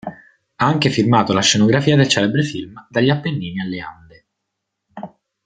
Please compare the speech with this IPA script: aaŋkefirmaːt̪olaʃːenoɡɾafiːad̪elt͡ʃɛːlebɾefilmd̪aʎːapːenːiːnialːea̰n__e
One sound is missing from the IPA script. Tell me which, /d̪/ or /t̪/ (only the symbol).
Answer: d̪